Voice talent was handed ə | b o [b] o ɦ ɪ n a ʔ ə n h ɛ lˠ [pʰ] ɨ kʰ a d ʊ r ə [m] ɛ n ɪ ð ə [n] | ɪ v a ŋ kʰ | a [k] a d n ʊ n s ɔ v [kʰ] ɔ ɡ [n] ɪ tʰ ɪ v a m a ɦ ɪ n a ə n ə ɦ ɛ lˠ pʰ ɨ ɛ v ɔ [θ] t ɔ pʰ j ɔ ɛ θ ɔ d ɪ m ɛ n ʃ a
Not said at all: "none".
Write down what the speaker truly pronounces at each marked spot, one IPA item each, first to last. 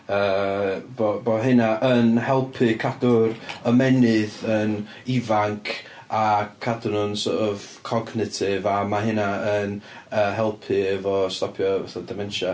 b, pʰ, m, n, kʰ, kʰ, n, s

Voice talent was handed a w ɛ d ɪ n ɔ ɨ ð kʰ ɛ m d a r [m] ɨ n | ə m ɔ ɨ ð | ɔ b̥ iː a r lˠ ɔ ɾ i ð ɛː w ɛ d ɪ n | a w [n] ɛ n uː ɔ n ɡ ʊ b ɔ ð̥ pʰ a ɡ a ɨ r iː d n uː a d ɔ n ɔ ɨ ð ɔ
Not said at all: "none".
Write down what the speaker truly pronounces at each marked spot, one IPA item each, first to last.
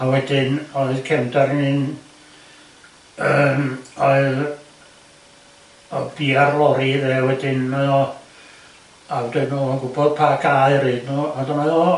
n, d

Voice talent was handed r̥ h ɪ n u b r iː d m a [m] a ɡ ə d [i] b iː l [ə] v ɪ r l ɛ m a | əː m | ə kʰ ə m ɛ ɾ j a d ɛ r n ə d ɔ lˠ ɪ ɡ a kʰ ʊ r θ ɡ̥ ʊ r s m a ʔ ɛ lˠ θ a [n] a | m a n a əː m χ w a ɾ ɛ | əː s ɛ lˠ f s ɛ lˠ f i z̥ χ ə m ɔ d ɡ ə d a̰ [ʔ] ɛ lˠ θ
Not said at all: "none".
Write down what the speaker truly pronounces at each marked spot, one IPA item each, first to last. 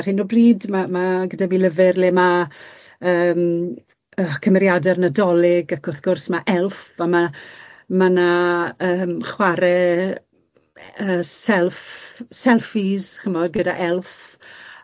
m, a, ə, m, ʔ

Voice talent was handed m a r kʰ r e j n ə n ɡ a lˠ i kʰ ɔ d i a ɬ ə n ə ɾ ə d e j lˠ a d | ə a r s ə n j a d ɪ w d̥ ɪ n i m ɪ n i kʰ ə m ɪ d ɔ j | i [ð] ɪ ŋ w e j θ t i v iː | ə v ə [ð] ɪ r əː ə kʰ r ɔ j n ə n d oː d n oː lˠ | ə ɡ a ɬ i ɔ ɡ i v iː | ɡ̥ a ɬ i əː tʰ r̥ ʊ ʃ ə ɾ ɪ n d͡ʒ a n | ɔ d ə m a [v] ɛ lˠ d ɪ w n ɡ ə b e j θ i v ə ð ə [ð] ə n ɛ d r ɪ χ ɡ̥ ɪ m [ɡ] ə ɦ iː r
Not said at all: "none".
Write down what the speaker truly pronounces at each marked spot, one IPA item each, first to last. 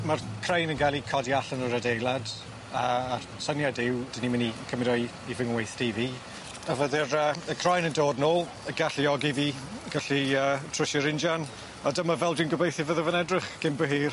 v, ð, v, v, b

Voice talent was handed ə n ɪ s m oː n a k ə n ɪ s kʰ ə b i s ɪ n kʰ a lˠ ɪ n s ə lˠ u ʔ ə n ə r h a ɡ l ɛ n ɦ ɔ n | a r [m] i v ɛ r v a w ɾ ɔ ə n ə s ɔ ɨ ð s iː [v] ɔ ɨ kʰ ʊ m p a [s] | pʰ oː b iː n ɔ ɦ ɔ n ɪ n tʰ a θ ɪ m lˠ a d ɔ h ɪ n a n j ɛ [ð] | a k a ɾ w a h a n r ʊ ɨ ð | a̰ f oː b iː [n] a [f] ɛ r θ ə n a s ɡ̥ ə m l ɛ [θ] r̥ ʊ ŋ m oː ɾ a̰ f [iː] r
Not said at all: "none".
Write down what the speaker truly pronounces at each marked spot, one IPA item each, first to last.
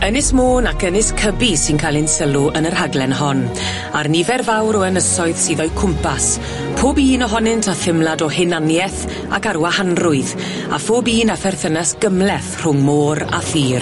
n, ð, s, θ, n, f, θ, iː

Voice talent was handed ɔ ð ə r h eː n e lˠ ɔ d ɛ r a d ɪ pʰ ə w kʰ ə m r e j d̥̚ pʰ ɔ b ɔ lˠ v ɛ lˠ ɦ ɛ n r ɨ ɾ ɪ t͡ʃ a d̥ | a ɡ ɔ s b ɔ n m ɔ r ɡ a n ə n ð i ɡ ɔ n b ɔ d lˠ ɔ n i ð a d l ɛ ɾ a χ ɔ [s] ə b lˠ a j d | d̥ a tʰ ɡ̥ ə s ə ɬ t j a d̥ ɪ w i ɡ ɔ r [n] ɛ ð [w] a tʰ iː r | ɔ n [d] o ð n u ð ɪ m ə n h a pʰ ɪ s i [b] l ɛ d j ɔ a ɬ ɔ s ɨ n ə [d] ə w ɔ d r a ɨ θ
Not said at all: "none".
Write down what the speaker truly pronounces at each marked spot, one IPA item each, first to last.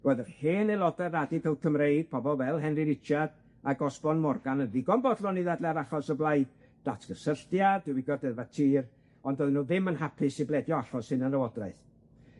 s, d, v, d, b, n

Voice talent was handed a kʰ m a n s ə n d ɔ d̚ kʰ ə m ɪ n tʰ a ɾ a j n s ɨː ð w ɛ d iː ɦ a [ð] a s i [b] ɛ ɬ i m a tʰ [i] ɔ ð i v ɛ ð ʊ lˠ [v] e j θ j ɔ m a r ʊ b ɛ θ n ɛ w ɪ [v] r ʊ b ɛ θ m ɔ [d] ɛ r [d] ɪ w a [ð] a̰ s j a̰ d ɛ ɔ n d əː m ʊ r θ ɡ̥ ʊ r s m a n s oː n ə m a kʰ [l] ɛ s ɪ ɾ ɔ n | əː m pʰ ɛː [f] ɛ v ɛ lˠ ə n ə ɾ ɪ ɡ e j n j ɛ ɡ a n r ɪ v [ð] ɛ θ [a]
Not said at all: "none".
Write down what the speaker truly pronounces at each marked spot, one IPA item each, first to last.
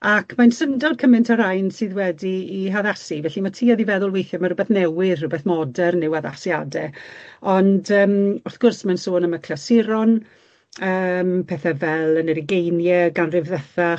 ð, v, iː, w, ð, d, n, ð, l, θ, ð, a

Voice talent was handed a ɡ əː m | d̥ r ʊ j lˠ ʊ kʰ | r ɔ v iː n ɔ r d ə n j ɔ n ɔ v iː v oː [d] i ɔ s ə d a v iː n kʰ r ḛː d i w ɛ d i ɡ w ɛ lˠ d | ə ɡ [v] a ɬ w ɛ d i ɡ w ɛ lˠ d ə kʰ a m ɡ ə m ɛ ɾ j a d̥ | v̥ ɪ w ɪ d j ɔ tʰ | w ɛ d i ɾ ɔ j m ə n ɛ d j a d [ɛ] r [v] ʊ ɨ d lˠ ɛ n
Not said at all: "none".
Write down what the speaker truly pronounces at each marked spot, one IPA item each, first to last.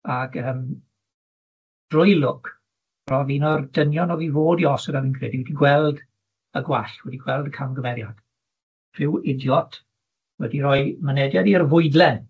d, w, i, v

